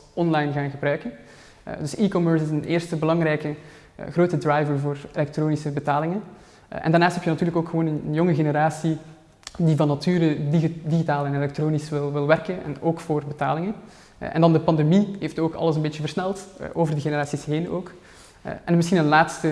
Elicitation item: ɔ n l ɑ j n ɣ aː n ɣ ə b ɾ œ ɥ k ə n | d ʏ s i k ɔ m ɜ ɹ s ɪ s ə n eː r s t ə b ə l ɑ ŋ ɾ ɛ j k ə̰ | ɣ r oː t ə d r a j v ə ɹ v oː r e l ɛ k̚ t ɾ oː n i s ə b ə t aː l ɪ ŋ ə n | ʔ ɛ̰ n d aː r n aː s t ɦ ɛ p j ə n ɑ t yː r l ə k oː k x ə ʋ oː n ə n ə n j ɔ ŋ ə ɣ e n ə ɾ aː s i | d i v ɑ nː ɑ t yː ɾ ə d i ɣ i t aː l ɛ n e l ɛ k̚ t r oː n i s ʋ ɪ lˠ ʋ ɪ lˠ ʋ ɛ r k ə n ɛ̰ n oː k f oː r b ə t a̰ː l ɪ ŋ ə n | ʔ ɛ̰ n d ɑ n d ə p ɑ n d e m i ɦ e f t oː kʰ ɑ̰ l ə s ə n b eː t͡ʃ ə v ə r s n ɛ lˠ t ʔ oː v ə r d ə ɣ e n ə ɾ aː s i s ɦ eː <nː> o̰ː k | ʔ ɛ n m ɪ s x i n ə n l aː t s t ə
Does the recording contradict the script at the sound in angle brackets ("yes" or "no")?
yes